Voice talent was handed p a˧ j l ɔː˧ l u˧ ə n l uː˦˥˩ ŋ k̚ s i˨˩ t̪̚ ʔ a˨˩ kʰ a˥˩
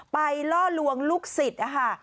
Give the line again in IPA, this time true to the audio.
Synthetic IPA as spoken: p a˧ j l ɔː˥˩ l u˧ ə ŋ l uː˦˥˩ k̚ s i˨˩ t̪̚ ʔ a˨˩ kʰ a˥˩